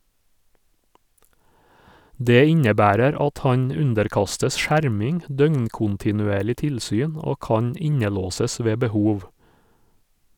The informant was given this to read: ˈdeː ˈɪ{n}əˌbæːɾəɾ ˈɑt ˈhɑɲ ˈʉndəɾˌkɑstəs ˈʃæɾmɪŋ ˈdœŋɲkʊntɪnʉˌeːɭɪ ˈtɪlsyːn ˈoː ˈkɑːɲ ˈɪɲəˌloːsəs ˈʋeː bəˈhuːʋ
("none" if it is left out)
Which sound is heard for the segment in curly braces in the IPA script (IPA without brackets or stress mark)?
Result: ɲ